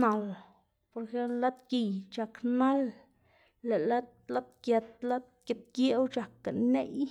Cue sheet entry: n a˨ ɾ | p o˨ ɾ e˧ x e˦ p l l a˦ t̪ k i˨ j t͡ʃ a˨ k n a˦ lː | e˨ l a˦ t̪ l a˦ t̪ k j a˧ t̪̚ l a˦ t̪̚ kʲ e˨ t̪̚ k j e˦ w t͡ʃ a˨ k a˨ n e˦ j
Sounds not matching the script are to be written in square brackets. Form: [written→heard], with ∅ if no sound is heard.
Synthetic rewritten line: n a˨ [ɾ→l] | p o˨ ɾ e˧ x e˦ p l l a˦ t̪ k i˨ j t͡ʃ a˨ k n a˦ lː | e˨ l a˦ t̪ l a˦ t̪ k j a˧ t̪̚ l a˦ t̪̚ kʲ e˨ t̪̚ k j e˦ w t͡ʃ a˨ k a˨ n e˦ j